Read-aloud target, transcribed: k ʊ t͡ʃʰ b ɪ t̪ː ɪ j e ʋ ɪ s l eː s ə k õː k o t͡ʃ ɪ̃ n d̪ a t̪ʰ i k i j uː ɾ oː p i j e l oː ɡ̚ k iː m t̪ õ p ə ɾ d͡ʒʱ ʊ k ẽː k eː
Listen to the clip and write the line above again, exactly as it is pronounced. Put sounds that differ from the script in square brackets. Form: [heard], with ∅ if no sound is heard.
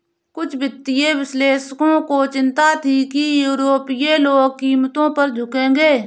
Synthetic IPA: k ʊ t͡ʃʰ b ɪ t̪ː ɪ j e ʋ ɪ s l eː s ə k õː k o t͡ʃ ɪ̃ n [t̪] a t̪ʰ i k i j uː ɾ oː p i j e l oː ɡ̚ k iː m t̪ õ p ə ɾ d͡ʒʱ ʊ k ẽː [ɡ] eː

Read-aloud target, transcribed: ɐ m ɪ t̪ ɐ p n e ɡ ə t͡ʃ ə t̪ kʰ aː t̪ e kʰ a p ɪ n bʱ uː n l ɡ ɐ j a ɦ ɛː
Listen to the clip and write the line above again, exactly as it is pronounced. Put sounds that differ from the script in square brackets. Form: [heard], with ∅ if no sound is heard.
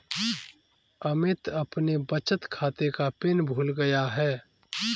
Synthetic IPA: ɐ m ɪ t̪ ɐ p n e [b] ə t͡ʃ ə t̪ kʰ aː t̪ e [k] a p ɪ n bʱ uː [∅] l ɡ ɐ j a ɦ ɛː

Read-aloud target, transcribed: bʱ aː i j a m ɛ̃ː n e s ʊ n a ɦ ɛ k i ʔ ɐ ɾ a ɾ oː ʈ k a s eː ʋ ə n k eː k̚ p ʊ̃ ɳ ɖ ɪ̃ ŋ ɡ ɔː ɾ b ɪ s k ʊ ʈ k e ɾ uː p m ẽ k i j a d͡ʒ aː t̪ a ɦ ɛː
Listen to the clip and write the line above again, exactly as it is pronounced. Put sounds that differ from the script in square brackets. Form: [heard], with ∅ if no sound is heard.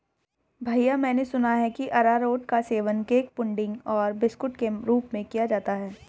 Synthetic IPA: bʱ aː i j a m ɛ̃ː n e s ʊ n a ɦ ɛ k i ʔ ɐ ɾ a ɾ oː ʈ k a s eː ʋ ə n k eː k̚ p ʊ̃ ɳ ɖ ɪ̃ ŋ ɡ ɔː ɾ b ɪ s k ʊ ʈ k e ɾ uː p m ẽ k i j a d͡ʒ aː t̪ a ɦ ɛː

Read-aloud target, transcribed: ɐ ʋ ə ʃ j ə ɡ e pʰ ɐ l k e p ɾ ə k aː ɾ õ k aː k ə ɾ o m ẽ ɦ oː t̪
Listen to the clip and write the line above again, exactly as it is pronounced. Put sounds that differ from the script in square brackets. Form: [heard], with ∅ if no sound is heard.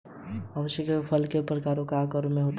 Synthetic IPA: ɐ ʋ ə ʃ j ə [k] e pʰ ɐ l k e p ɾ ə k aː ɾ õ k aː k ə ɾ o m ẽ ɦ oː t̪

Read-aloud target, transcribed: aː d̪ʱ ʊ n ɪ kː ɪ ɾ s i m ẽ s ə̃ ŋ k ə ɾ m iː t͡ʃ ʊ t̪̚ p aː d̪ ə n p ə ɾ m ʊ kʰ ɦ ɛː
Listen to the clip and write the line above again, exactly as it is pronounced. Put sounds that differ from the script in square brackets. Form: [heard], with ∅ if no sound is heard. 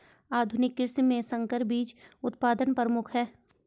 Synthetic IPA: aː d̪ʱ ʊ n ɪ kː ɪ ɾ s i m ẽ s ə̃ ŋ k ə ɾ [b] iː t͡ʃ ʊ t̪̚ p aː d̪ ə n p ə ɾ m ʊ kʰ ɦ ɛː

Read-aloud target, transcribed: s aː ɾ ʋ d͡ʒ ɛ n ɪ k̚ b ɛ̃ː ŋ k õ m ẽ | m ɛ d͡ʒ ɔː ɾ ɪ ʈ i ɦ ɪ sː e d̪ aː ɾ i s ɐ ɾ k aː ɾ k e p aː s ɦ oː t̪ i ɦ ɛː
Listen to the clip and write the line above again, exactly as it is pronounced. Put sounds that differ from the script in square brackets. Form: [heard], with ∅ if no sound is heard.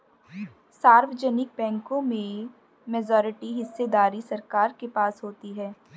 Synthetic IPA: s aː ɾ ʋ d͡ʒ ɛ n ɪ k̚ b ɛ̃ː ŋ k õ m ẽ | m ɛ d͡ʒ ɔː ɾ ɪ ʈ i ɦ ɪ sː e d̪ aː ɾ i s ɐ ɾ k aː ɾ k e p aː s ɦ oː t̪ i ɦ ɛː

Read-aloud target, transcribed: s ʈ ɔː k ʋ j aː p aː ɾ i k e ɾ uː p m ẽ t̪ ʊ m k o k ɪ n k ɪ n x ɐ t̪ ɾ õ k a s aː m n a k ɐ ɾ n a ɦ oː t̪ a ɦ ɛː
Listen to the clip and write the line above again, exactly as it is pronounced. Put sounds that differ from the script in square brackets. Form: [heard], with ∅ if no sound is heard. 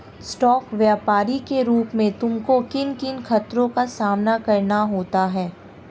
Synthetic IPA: s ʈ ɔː k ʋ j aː p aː ɾ i k e ɾ uː p m ẽ t̪ ʊ m k o k ɪ n k ɪ n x ɐ t̪ ɾ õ k a s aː m n a k ɐ ɾ n a ɦ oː t̪ a ɦ ɛː

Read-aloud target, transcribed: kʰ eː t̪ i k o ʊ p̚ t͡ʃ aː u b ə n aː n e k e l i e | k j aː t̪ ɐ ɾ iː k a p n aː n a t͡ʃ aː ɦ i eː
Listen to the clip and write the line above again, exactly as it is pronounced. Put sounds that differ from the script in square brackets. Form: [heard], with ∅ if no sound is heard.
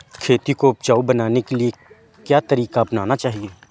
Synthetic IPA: kʰ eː t̪ i k o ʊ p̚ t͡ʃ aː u b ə n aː n e k e l i e | k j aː t̪ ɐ ɾ iː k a p n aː n a t͡ʃ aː ɦ i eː

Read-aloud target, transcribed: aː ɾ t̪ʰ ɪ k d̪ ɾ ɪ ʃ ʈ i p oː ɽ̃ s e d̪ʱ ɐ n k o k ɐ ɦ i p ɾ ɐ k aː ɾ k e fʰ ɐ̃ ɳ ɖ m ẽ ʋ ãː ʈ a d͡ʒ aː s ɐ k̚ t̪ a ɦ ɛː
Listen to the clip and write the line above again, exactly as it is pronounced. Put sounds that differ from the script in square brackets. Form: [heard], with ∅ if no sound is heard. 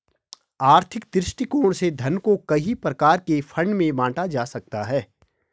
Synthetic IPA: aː ɾ t̪ʰ ɪ k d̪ ɾ ɪ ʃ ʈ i [k] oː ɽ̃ s e d̪ʱ ɐ n k o k ɐ ɦ i p ɾ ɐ k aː ɾ k e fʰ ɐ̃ ɳ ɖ m ẽ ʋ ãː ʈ a d͡ʒ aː s ɐ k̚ t̪ a ɦ ɛː

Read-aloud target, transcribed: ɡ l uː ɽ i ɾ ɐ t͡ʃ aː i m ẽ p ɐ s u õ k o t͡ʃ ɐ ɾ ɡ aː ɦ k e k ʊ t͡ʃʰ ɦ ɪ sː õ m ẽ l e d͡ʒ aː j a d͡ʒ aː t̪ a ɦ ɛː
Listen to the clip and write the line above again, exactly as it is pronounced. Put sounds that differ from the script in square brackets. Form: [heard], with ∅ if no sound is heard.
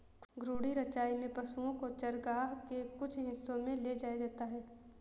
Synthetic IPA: ɡ [ɾ] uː ɽ i ɾ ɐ t͡ʃ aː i m ẽ p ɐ s u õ k o t͡ʃ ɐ ɾ ɡ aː ɦ k e k ʊ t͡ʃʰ ɦ ɪ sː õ m ẽ l e d͡ʒ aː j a d͡ʒ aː t̪ a ɦ ɛː

